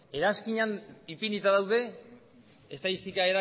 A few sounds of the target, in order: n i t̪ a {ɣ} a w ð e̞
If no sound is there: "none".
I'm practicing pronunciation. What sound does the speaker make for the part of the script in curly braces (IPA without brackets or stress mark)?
ð